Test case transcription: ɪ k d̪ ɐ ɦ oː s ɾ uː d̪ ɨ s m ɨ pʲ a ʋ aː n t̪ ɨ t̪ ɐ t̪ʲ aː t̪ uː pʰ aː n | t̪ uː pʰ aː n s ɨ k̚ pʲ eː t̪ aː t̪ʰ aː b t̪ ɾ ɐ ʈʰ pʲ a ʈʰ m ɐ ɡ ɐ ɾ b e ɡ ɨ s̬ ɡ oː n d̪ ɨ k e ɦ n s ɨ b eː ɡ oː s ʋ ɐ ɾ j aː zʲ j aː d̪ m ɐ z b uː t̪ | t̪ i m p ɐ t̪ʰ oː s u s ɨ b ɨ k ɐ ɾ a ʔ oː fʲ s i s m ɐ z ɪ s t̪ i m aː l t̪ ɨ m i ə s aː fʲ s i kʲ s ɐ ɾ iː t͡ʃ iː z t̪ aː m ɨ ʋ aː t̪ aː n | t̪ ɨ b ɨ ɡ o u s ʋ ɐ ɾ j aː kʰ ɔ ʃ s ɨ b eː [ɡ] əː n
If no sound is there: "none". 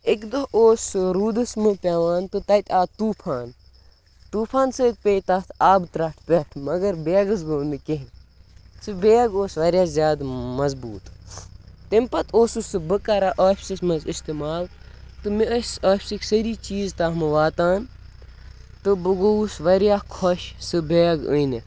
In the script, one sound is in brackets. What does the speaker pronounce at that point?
ɡ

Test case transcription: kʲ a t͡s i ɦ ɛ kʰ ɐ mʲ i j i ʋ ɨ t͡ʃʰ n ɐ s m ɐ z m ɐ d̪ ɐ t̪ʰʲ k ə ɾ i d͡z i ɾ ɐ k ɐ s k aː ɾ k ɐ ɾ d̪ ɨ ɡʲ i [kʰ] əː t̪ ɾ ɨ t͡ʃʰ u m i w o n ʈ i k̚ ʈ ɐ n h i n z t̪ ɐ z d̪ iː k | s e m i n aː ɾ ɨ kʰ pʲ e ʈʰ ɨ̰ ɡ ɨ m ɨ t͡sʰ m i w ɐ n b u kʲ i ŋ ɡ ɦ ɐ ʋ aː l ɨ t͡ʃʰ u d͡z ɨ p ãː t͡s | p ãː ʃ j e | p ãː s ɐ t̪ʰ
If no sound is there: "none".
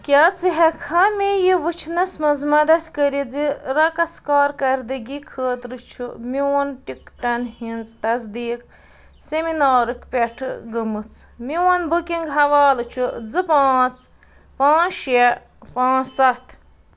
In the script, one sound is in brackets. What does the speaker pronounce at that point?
kʰ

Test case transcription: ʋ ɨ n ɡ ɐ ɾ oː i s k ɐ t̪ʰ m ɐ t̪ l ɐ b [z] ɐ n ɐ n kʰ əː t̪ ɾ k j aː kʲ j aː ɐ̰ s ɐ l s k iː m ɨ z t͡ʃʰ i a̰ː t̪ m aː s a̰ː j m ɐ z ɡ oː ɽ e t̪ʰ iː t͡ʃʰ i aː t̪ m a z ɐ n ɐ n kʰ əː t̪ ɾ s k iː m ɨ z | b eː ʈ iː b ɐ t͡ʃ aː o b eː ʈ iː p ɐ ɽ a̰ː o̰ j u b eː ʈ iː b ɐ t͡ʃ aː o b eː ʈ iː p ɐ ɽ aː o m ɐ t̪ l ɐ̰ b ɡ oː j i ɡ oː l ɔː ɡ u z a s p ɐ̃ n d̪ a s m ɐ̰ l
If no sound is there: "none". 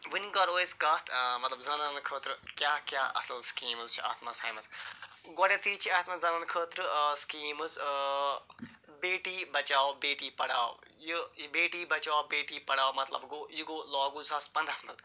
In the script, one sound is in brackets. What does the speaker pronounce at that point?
z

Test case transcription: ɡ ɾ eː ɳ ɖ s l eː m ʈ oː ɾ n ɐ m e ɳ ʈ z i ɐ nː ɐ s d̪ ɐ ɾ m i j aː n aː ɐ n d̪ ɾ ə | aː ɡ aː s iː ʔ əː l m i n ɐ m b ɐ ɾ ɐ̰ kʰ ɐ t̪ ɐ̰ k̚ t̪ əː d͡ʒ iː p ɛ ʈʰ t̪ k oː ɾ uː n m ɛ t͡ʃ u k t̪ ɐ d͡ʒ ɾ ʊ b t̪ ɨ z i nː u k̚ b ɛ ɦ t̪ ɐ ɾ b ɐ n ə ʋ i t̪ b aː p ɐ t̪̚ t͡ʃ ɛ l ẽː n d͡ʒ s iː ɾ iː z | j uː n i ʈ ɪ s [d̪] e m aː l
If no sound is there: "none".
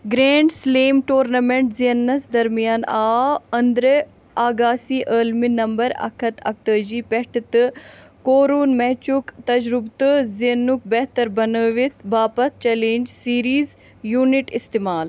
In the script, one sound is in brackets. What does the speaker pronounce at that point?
t̪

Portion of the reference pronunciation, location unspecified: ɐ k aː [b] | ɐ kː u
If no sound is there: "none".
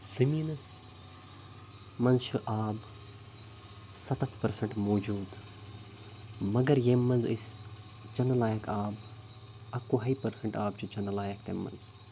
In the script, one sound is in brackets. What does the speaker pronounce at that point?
b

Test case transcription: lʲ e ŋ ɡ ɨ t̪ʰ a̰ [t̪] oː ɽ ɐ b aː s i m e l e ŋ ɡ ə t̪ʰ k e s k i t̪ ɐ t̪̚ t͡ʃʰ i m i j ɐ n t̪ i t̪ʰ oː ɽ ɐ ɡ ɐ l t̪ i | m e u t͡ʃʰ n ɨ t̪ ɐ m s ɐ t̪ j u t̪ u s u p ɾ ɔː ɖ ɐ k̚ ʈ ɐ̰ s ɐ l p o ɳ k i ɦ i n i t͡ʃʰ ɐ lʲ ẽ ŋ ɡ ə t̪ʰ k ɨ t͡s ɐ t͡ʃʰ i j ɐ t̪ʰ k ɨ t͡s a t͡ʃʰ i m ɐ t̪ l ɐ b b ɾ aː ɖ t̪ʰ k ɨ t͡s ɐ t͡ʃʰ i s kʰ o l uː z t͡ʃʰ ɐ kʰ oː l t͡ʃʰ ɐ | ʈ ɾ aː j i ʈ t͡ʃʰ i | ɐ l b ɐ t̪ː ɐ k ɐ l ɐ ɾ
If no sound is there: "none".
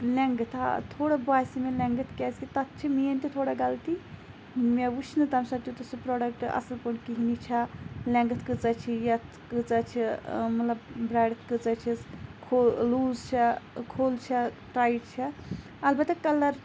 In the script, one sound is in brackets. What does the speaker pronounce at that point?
t̪ʰ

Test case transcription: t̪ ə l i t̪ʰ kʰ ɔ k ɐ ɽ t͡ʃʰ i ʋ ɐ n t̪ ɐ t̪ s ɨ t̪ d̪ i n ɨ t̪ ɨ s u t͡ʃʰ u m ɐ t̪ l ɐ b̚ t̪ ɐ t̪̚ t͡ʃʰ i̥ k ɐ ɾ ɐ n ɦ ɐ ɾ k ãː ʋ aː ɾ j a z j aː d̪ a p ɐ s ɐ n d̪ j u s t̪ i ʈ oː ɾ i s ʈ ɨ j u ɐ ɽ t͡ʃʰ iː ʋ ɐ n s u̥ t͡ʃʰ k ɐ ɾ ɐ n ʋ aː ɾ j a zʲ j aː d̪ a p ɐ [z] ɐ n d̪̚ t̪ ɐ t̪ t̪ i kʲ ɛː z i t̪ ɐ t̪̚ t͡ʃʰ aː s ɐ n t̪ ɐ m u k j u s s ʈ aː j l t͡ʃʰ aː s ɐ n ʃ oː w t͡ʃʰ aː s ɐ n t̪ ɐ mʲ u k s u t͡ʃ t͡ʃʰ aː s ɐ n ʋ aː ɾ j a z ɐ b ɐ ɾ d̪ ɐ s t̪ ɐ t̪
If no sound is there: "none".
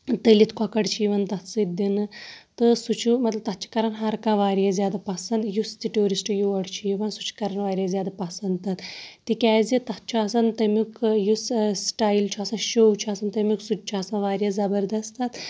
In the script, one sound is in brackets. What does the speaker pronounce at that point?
s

